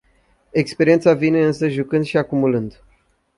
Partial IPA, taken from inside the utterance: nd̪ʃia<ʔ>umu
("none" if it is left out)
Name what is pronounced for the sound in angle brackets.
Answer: k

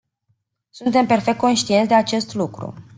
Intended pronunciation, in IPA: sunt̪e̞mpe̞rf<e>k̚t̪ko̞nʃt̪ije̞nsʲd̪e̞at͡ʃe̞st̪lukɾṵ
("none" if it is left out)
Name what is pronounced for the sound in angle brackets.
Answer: e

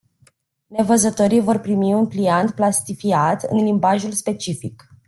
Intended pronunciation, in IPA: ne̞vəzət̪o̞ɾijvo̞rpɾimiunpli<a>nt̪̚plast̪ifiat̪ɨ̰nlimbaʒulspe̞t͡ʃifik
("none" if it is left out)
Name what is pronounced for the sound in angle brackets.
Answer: a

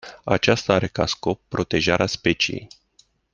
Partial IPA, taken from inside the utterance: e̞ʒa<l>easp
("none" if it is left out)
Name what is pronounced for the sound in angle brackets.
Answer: ɾ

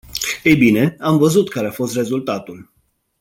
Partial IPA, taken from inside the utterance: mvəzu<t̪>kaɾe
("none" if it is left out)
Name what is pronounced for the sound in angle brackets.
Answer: t̪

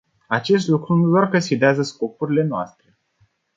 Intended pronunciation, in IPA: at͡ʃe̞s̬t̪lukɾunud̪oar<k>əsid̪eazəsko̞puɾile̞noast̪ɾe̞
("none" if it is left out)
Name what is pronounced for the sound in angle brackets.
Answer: k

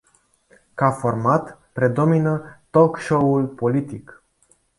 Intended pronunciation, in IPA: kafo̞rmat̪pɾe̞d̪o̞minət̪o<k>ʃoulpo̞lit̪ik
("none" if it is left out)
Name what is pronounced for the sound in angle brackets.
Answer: k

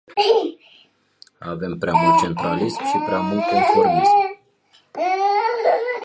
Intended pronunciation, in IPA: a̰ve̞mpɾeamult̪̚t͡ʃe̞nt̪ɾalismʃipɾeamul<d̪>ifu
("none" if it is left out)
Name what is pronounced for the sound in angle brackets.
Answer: t̪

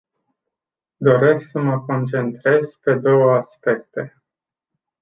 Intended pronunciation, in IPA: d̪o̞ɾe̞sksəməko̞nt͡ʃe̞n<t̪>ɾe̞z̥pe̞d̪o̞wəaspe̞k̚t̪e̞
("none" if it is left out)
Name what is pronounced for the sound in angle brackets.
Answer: t̪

